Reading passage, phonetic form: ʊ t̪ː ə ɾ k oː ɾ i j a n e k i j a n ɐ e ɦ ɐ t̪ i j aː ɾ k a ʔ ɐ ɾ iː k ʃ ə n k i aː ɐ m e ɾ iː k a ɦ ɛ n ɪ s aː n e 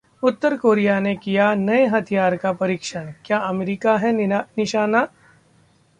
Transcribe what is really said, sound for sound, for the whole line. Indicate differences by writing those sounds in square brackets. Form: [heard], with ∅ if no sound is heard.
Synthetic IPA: ʊ t̪ː ə ɾ k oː ɾ i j a n e k i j a n ɐ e ɦ ɐ [t̪ʰ] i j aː ɾ k a [p] ɐ ɾ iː k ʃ ə n k [j] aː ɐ m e ɾ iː k a ɦ ɛ n ɪ [ʃ] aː n [a]